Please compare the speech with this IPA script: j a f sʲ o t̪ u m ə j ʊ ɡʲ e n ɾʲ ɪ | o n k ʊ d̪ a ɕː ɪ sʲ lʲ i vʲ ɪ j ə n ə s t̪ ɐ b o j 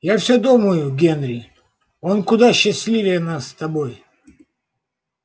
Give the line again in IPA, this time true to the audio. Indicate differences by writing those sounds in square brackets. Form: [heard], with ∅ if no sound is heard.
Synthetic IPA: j a f sʲ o [d̪] u m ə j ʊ ɡʲ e n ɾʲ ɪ | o n k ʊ d̪ a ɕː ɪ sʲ lʲ i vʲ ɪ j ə n [a] s t̪ ɐ b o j

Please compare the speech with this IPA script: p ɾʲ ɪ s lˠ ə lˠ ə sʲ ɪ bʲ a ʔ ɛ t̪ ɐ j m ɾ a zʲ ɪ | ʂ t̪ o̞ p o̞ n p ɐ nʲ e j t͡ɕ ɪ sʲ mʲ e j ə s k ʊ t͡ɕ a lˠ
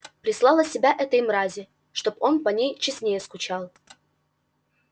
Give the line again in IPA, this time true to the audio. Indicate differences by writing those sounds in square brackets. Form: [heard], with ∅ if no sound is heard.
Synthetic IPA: p ɾʲ ɪ s lˠ [ɑ] lˠ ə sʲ ɪ bʲ a ʔ ɛ t̪ [ə] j m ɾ a zʲ ɪ | ʂ t̪ o̞ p o̞ n p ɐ nʲ e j t͡ɕ ɪ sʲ [nʲ] e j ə s k ʊ t͡ɕ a lˠ

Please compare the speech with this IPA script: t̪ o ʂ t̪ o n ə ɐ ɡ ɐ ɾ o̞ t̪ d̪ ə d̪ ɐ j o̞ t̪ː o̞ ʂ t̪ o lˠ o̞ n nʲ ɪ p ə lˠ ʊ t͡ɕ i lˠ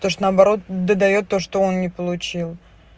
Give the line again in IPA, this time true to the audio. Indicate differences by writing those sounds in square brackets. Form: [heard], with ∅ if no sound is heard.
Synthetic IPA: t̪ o ʂ t̪ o n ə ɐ [b] ɐ ɾ o̞ t̪ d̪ ə d̪ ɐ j o̞ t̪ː o̞ ʂ t̪ o [∅] o̞ n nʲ ɪ p ə lˠ ʊ t͡ɕ i lˠ

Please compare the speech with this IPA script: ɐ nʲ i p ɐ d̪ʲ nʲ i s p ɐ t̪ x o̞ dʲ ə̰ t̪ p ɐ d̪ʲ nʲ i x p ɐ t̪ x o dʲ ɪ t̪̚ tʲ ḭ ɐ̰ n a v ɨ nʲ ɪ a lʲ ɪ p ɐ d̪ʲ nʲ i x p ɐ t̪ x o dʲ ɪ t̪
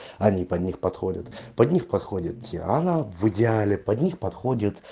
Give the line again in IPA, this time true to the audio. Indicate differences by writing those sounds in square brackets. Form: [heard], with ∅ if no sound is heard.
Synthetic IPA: ɐ nʲ i p ɐ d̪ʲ nʲ i [x] p ɐ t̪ x o̞ dʲ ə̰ t̪ p ɐ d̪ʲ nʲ i x p ɐ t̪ x o dʲ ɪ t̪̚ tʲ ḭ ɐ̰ n a v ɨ [dʲ] ɪ a lʲ ɪ p ɐ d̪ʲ nʲ i x p ɐ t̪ x o dʲ ɪ t̪

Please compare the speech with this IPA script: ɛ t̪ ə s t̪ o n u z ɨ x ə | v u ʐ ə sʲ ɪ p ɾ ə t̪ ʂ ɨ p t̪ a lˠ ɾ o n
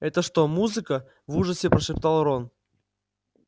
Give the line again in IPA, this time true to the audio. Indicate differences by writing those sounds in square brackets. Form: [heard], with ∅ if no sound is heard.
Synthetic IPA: ɛ t̪ ə [ʂ] t̪ o [m] u z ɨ [k] ə | v u ʐ ə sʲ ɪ p ɾ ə [∅] ʂ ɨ p t̪ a lˠ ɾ o n

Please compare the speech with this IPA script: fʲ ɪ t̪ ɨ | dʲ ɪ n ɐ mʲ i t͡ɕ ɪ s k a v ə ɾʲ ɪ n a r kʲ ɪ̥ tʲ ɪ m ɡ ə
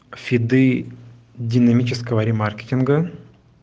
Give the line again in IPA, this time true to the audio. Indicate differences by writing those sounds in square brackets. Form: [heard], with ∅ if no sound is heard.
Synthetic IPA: fʲ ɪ [d̪] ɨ | dʲ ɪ n ɐ mʲ i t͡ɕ ɪ s k [ə] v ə ɾʲ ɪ [m] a r kʲ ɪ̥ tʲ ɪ [n] ɡ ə

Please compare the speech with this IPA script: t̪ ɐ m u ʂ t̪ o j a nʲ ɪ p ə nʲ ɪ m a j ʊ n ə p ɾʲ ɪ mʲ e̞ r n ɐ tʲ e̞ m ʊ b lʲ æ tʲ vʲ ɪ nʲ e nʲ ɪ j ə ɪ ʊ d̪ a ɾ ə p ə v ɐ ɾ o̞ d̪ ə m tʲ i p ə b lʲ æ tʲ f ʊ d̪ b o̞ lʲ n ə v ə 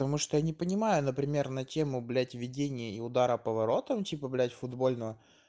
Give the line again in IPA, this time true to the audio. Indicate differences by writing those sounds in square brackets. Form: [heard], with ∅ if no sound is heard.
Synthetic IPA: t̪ ɐ m u ʂ t̪ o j a nʲ ɪ p ə nʲ ɪ m a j ʊ n ə p ɾʲ ɪ mʲ e̞ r n ɐ tʲ e̞ m ʊ b lʲ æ tʲ vʲ ɪ [dʲ] e nʲ ɪ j ə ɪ ʊ d̪ a ɾ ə p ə v ɐ ɾ o̞ [t̪] ə m tʲ i p ə b lʲ æ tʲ f ʊ d̪ b o̞ lʲ n ə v ə

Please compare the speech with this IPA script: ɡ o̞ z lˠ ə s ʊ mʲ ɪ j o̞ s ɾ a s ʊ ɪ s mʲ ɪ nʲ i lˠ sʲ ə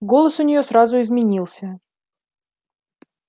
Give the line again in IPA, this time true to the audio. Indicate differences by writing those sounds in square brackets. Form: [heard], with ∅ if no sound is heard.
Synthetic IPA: ɡ o̞ [∅] lˠ ə s ʊ [nʲ] ɪ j o̞ s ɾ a [z] ʊ ɪ [z] mʲ ɪ nʲ i lˠ sʲ ə

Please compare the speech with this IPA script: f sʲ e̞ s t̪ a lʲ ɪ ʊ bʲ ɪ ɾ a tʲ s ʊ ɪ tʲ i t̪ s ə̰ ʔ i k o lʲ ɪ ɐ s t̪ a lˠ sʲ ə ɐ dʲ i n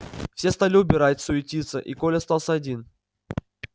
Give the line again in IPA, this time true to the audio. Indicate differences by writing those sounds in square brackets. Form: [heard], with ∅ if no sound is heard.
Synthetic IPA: f sʲ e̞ s t̪ a lʲ ɪ ʊ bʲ ɪ ɾ a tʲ s ʊ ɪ tʲ i t̪ s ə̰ ʔ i k o lʲ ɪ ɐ s t̪ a lˠ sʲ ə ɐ dʲ i n

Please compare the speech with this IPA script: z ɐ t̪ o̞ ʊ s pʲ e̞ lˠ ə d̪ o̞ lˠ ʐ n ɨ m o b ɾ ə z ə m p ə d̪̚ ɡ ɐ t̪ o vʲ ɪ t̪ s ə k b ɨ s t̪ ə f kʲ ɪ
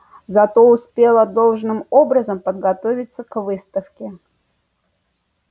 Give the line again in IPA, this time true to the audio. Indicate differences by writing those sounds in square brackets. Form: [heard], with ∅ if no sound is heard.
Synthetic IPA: z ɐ t̪ o̞ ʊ s pʲ e̞ lˠ ə d̪ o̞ lˠ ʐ n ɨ m o b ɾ ə z ə m p ə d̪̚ ɡ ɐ t̪ o vʲ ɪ t̪ s ə k [v] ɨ s t̪ ə f kʲ ɪ

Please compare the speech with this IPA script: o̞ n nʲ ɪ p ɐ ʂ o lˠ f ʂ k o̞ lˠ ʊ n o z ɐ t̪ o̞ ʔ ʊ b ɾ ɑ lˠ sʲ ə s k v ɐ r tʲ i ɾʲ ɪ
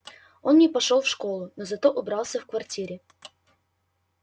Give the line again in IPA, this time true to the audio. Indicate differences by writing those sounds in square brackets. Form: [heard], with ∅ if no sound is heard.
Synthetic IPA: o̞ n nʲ ɪ p ɐ ʂ o lˠ f ʂ k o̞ lˠ ʊ n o z ɐ t̪ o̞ ʔ ʊ b ɾ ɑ lˠ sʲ ə [f] k v ɐ r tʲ i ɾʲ ɪ

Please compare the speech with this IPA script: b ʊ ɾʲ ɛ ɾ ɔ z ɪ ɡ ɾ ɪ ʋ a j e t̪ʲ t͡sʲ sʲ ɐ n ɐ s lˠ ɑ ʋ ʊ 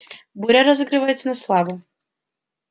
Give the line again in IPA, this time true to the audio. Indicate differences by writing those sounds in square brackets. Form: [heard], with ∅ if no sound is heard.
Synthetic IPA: b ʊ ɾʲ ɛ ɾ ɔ z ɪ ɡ ɾ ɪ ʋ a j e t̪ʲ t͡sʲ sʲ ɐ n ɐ s lˠ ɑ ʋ ʊ

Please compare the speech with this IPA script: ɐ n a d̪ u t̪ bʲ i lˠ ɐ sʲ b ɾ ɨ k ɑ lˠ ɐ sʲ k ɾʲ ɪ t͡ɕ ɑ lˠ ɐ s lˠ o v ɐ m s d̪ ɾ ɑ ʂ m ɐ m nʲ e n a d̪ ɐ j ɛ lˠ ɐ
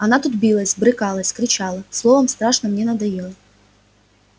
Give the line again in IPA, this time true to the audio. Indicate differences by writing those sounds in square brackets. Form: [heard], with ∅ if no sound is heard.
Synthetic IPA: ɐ n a [t̪] u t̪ bʲ i lˠ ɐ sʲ b ɾ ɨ k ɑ lˠ ɐ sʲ k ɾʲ ɪ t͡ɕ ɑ lˠ ɐ s lˠ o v ɐ m s [t̪] ɾ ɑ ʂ [n] ɐ m nʲ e n [ɐ] d̪ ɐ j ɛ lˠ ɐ

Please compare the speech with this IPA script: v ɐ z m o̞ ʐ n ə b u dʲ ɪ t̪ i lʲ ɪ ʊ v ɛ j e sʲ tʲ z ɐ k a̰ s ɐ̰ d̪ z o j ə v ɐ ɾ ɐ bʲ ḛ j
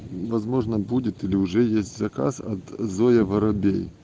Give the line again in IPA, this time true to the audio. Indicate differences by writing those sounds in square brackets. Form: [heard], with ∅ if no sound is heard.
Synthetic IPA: v ɐ z m o̞ ʐ n ə b u dʲ ɪ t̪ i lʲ ɪ ʊ [ʐ] ɛ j e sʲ tʲ z ɐ k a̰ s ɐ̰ [t̪] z o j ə v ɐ ɾ ɐ bʲ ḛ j

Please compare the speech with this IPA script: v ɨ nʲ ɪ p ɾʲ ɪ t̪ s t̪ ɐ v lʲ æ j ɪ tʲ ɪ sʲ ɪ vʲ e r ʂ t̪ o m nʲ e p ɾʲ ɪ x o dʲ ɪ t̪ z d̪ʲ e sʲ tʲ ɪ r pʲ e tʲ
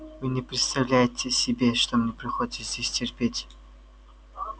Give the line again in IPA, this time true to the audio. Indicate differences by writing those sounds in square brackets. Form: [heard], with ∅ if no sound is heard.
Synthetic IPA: v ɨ nʲ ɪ p ɾʲ ɪ t̪ s t̪ ɐ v lʲ æ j ɪ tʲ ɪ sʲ ɪ [bʲ] e [∅] ʂ t̪ o m nʲ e p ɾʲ ɪ x o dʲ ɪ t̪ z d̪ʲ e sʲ tʲ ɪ r pʲ e tʲ

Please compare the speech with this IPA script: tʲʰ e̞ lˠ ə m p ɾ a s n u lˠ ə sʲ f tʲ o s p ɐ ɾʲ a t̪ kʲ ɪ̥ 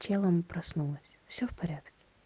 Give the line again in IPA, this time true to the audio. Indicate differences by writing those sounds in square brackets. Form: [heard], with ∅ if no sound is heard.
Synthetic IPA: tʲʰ e̞ lˠ ə m p ɾ [ɐ] s n u lˠ ə sʲ f [sʲ] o [f] p ɐ ɾʲ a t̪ kʲ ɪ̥

